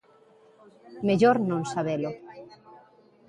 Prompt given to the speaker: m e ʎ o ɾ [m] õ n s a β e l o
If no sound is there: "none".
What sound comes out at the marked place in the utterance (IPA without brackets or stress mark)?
n